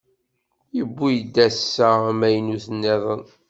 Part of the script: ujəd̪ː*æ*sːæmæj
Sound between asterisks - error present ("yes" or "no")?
no